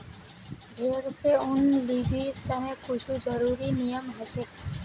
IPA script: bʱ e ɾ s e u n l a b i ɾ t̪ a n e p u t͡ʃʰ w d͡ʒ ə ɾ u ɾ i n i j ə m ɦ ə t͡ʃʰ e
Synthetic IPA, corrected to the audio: bʱ e ɾ s e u n l i b i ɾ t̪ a n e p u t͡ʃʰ u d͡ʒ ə ɾ u ɾ i n i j ə m ɦ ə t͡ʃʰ e